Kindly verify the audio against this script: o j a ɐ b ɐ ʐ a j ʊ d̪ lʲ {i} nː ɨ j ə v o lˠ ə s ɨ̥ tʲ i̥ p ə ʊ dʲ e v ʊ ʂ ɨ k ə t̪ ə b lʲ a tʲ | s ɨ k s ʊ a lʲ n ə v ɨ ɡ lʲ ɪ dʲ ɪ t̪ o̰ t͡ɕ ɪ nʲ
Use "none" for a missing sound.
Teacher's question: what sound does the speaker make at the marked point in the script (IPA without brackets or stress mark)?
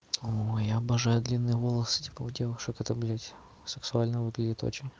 i